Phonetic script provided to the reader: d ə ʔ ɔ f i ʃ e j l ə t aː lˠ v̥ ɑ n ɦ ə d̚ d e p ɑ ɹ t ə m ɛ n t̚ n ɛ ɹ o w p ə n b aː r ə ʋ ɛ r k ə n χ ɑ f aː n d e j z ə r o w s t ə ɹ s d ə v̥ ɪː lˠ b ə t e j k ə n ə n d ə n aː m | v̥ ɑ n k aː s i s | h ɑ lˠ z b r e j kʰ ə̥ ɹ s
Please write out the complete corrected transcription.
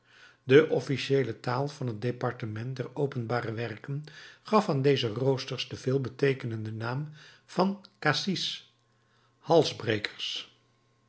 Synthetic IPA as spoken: d ə ʔ ɔ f i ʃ e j l ə t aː lˠ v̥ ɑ n ɦ ə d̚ d e p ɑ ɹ t ə m ɛ n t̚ d ɛ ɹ o w p ə n b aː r ə ʋ ɛ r k ə n χ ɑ f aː n d e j z ə r o w s t ə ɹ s d ə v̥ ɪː lˠ b ə t e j k ə n ə n d ə n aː m | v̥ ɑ n k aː s i s | h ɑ lˠ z b r e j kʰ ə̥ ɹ s